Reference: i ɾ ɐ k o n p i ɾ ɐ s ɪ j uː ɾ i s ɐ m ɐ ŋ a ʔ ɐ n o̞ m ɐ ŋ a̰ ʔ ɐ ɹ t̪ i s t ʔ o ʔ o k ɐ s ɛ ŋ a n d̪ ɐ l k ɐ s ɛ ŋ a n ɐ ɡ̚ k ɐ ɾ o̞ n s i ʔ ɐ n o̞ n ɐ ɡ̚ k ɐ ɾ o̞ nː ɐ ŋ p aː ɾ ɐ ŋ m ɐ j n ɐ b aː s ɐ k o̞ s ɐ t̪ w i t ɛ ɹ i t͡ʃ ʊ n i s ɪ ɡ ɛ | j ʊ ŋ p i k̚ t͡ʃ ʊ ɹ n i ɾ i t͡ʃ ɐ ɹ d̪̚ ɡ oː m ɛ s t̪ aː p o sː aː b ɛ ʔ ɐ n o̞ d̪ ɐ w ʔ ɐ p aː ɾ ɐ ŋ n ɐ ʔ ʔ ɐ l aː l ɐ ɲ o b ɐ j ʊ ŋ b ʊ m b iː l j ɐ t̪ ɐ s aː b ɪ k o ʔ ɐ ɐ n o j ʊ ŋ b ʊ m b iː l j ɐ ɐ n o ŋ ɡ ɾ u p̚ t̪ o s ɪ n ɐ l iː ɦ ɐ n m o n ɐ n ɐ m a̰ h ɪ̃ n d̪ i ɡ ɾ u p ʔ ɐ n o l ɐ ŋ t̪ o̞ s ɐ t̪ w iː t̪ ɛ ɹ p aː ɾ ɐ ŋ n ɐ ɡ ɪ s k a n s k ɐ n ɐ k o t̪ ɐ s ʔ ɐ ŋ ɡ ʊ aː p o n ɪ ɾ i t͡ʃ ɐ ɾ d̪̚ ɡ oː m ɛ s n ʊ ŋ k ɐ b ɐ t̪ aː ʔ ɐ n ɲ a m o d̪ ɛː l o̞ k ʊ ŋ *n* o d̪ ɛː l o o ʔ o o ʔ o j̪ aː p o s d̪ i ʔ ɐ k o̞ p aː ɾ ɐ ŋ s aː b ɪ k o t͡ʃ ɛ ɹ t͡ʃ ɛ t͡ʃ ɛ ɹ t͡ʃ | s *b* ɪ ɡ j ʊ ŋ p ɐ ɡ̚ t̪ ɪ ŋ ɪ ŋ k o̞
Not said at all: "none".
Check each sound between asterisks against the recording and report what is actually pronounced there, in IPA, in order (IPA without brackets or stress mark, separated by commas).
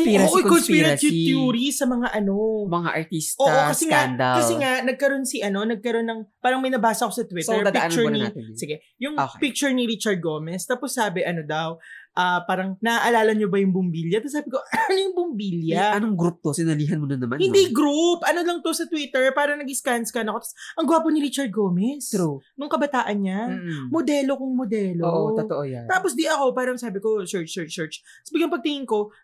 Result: m, b